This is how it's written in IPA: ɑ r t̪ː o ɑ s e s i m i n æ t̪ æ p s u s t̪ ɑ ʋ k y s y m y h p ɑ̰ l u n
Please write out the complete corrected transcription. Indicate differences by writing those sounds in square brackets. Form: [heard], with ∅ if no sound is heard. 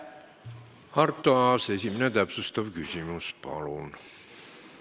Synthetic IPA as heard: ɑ r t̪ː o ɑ s e s i m i n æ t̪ æ p s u s t̪ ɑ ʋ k y s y m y [s] p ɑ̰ l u n